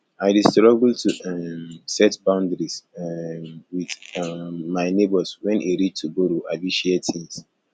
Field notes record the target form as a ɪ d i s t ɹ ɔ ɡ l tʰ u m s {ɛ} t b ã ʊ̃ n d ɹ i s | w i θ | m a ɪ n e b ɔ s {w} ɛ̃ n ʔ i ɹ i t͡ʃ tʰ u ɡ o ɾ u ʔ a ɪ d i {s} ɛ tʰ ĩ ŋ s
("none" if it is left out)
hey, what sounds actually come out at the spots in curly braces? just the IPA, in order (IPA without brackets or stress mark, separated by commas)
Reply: ɛ, w, ʃ